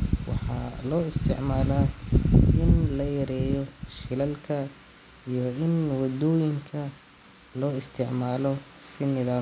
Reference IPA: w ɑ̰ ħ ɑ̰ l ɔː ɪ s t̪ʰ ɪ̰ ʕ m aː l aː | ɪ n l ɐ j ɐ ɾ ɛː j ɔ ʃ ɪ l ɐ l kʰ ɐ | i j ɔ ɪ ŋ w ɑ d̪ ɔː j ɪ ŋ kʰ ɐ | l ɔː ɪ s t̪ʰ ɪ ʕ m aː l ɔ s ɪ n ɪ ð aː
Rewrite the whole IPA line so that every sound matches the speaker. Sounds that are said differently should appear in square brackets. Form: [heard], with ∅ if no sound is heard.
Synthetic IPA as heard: w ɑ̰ ħ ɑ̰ l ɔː ɪ s t̪ʰ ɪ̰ ʕ m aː l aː | ɪ n l ɐ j ɐ ɾ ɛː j ɔ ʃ ɪ l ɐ l kʰ ɐ | i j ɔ ɪ [n] w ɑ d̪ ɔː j ɪ ŋ kʰ ɐ | l ɔː ɪ s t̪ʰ ɪ ʕ m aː l ɔ s ɪ n ɪ ð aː

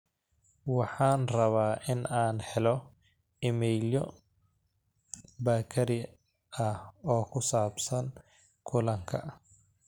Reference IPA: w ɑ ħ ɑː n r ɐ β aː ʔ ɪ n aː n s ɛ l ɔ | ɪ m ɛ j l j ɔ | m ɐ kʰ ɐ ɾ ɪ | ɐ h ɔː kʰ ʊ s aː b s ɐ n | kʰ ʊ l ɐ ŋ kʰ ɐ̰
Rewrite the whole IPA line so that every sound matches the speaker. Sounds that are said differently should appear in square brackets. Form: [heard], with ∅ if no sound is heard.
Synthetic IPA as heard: w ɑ ħ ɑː n r ɐ β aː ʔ ɪ n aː n [ħ] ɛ l ɔ | ɪ m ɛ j l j ɔ | [b] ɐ kʰ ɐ ɾ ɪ | ɐ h ɔː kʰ ʊ s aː b s ɐ n | kʰ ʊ l ɐ ŋ kʰ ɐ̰

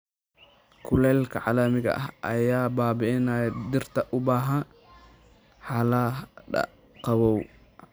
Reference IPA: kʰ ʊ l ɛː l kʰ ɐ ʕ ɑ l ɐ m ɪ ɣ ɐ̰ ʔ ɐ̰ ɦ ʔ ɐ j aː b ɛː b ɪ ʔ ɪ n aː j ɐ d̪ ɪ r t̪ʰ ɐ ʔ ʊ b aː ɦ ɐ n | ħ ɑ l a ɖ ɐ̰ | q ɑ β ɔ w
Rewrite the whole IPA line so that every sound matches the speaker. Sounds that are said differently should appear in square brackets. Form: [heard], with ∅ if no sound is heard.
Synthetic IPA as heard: kʰ ʊ l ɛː l kʰ ɐ ʕ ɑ l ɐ m ɪ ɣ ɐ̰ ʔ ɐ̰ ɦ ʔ ɐ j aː b [aː] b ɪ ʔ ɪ n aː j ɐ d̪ ɪ r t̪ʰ ɐ ʔ ʊ b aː ɦ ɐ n | ħ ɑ l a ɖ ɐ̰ | q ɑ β ɔ w

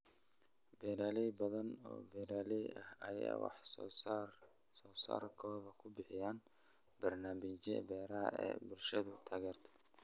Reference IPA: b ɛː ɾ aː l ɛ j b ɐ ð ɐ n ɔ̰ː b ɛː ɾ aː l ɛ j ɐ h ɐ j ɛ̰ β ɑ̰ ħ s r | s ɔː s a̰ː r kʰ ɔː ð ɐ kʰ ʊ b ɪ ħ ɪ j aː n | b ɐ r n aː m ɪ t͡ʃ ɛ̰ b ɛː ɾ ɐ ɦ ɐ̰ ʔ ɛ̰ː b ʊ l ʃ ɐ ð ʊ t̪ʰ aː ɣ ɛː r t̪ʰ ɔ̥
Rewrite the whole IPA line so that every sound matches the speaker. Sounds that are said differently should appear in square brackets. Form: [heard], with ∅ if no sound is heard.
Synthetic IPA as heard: b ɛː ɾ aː l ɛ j b ɐ ð ɐ n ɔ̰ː b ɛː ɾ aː l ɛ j ɐ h ɐ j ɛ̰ [w] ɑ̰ ħ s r | s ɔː s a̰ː r kʰ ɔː ð ɐ kʰ ʊ b ɪ ħ ɪ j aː n | b ɐ r n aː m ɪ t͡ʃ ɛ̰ b ɛː ɾ ɐ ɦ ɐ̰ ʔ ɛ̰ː b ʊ l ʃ ɐ ð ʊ t̪ʰ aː ɣ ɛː r t̪ʰ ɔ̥

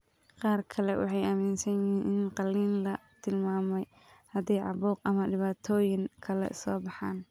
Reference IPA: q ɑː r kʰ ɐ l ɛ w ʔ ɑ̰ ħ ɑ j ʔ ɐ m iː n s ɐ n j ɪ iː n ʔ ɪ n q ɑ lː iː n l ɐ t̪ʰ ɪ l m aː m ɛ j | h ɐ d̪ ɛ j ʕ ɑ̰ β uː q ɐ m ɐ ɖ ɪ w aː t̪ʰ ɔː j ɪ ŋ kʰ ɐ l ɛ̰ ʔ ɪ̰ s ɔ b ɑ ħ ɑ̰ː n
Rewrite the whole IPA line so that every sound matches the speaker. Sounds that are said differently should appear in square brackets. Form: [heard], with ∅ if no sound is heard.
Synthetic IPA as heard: q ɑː r kʰ ɐ l ɛ w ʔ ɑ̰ ħ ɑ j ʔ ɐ m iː n s ɐ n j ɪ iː n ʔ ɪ n q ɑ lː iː n l ɐ t̪ʰ ɪ l m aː m ɛ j | h ɐ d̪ ɛ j ʕ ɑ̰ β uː q ɐ m ɐ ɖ ɪ [β] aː t̪ʰ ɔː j ɪ ŋ kʰ ɐ l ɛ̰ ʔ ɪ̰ s [ɔː] b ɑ ħ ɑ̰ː n

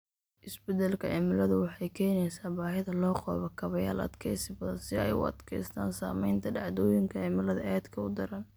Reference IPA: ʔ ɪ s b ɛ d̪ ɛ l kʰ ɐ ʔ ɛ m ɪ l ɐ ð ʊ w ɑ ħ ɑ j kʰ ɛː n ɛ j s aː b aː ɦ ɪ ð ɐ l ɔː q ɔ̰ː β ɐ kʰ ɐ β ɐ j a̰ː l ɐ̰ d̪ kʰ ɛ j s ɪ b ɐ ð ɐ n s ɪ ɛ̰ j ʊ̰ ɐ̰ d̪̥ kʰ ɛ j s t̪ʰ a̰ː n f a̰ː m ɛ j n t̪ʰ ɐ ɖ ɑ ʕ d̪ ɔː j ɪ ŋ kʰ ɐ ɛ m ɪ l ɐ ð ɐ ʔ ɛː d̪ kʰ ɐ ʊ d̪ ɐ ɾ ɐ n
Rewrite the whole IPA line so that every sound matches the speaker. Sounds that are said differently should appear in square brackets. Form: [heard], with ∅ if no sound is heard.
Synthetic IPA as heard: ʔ ɪ s b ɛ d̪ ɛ l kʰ ɐ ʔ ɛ m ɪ l ɐ ð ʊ w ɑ ħ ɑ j kʰ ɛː n ɛ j s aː b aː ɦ ɪ ð ɐ l ɔː q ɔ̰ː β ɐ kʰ ɐ β ɐ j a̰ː l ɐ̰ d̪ kʰ ɛ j s ɪ b ɐ ð ɐ n s ɪ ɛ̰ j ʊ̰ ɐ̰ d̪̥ kʰ ɛ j s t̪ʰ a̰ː n [s] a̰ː m ɛ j n t̪ʰ ɐ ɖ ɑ ʕ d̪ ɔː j ɪ ŋ kʰ ɐ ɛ m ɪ l ɐ ð ɐ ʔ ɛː d̪ kʰ ɐ ʊ d̪ ɐ ɾ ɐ n

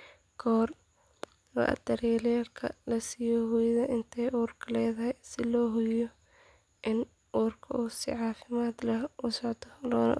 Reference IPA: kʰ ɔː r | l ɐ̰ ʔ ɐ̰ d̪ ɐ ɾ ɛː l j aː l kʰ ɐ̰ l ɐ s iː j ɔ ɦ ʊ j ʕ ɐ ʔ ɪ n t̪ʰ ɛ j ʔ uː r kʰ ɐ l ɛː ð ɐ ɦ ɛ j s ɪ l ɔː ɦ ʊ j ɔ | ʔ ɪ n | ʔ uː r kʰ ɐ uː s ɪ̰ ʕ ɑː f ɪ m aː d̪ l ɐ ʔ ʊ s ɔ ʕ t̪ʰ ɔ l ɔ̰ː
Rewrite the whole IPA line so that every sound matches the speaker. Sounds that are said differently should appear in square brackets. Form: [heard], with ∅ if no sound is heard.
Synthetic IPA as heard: kʰ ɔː r | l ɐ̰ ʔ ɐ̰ d̪ ɐ ɾ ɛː l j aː l kʰ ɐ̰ l ɐ s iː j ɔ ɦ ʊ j [ð] ɐ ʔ ɪ n t̪ʰ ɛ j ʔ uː r kʰ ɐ l ɛː ð ɐ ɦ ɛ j s ɪ l ɔː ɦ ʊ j ɔ | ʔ ɪ n | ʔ uː r kʰ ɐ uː s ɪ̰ ʕ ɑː f ɪ m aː d̪ l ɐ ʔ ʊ s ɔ ʕ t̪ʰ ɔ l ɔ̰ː

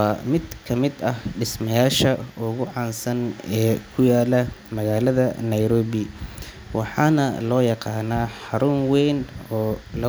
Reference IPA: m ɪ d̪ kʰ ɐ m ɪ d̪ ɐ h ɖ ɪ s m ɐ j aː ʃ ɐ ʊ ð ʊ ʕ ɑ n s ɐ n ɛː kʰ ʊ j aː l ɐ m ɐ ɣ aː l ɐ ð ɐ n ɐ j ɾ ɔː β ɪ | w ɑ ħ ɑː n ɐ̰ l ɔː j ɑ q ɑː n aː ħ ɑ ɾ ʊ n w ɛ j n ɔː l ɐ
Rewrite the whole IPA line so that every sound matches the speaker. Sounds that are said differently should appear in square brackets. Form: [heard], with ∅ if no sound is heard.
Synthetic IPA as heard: m ɪ d̪ kʰ ɐ m ɪ d̪ ɐ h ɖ ɪ s m ɐ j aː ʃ ɐ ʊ [ɣ] ʊ ʕ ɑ n s ɐ n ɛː kʰ ʊ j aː l ɐ m ɐ ɣ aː l ɐ ð ɐ n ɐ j ɾ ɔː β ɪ | w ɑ ħ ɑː n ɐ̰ l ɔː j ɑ q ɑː n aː ħ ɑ ɾ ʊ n w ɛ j n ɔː l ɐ

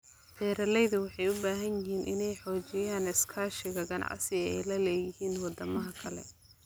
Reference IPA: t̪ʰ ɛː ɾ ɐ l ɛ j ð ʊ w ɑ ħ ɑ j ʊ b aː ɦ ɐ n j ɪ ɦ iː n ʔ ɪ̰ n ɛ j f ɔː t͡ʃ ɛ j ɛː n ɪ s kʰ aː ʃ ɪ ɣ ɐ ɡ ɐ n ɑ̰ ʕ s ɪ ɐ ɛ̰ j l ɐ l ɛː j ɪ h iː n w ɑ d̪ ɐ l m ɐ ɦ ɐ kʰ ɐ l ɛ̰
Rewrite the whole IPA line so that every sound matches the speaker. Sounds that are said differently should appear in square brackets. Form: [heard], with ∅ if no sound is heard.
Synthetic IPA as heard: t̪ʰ ɛː ɾ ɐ l ɛ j ð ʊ w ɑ ħ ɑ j ʊ b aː ɦ ɐ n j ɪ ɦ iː n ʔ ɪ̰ n ɛ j [ħ] ɔː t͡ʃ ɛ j [aː] n ɪ s kʰ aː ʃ ɪ ɣ ɐ ɡ ɐ n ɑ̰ ʕ s ɪ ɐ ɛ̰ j l ɐ l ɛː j ɪ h iː n w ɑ d̪ ɐ [∅] m ɐ ɦ ɐ kʰ ɐ l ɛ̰

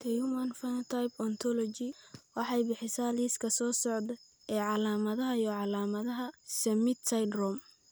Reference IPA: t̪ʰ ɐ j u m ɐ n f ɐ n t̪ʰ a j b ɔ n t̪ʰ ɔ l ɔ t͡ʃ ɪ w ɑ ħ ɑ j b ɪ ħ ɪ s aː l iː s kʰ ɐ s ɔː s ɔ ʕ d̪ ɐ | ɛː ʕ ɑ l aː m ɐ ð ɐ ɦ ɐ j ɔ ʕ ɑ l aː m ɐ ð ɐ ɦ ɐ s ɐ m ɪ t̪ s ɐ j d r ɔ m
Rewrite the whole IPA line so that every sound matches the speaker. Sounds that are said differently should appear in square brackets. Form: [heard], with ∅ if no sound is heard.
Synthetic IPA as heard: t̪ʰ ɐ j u m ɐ n f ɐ n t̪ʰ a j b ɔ n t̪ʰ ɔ l ɔ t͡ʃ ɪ w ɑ ħ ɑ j b ɪ ħ ɪ s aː l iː s kʰ ɐ s ɔː s ɔ ʕ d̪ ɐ | ɛː ʕ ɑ l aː m ɐ ð ɐ ɦ ɐ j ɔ ʕ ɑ l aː m ɐ ð ɐ ɦ ɐ s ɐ m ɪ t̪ s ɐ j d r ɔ m

